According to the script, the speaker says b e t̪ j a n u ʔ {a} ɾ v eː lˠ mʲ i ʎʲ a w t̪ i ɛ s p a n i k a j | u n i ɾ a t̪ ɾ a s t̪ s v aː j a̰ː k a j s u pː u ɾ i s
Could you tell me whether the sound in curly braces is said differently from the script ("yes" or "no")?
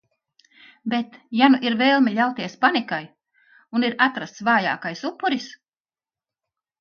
yes